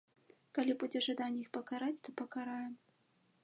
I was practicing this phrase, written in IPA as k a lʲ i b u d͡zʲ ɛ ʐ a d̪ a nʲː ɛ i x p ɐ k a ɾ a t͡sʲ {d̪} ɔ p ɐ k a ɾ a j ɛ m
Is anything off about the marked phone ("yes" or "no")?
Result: yes